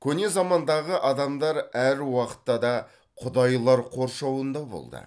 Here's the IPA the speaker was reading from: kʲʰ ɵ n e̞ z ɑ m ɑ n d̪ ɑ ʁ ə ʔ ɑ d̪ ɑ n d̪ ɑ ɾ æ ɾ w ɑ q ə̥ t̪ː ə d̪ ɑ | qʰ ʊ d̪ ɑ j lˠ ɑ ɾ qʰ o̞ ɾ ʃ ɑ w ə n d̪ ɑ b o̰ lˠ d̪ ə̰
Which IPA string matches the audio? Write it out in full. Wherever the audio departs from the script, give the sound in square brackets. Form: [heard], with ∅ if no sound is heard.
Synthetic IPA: kʲʰ ɵ n e̞ z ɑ m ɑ n d̪ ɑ ʁ ə ʔ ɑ d̪ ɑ [m] d̪ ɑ ɾ æ ɾ w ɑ q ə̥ t̪ː [ɑ] d̪ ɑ | qʰ ʊ d̪ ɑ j lˠ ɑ ɾ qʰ o̞ ɾ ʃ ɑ w ə n d̪ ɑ b o̰ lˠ d̪ ə̰